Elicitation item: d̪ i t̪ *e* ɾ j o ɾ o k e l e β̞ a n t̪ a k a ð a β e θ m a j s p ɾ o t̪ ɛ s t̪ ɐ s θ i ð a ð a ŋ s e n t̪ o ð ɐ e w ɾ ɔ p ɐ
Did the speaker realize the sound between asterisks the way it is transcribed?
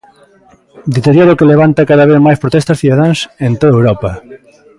yes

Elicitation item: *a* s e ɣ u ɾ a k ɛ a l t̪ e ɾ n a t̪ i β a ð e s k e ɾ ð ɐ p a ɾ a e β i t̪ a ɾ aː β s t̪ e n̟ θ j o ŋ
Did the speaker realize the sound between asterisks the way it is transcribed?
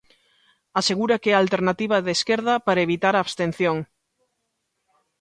yes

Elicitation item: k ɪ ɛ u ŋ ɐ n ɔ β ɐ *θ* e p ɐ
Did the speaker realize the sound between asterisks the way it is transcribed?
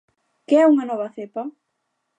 yes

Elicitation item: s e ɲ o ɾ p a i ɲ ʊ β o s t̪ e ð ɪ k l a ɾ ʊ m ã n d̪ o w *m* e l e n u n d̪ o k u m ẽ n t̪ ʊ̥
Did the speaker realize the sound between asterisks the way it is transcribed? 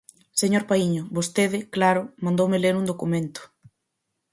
yes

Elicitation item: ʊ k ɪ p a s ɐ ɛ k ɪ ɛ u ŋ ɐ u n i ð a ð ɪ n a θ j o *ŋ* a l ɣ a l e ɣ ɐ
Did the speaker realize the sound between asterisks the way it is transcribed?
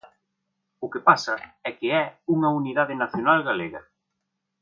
no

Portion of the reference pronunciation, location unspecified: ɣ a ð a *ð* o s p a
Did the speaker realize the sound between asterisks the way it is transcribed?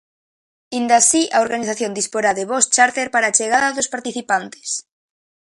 yes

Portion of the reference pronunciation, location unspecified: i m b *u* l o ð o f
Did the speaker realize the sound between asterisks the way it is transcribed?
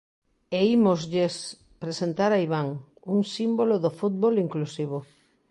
no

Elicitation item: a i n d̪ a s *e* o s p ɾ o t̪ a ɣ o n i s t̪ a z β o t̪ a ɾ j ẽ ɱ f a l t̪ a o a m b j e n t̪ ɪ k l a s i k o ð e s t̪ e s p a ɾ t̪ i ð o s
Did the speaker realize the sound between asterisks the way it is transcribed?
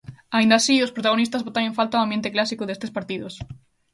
no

